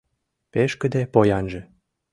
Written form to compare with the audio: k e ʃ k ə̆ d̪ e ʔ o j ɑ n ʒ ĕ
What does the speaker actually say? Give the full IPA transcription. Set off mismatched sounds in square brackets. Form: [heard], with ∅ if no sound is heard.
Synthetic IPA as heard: [p] e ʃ k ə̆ d̪ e [p] o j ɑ n ʒ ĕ